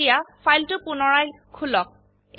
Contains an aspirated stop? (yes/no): yes